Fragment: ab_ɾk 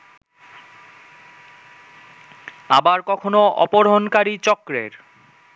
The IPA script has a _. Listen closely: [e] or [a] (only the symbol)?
a